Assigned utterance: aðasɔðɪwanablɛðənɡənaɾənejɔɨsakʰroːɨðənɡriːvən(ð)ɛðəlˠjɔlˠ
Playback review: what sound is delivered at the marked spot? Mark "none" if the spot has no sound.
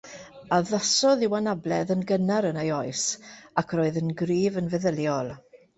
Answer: v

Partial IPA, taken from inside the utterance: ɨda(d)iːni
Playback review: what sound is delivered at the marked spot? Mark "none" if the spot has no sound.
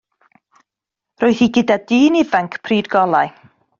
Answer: d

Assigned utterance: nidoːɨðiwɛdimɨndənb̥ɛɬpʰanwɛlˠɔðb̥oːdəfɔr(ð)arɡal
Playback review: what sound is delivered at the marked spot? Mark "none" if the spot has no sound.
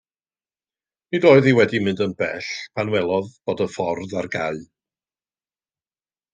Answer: ð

